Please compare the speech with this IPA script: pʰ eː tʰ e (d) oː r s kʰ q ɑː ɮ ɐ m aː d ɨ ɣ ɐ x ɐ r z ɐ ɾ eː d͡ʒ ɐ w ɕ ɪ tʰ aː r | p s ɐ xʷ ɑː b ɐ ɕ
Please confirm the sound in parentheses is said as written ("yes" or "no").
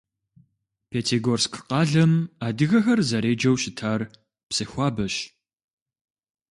no